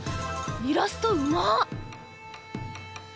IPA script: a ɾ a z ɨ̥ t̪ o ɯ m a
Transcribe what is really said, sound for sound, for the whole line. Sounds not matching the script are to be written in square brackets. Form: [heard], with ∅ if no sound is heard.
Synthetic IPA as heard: [i] ɾ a [s] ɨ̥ t̪ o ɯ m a